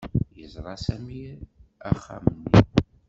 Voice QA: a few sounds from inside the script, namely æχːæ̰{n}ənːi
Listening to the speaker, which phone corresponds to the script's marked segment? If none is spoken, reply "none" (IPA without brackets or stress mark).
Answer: m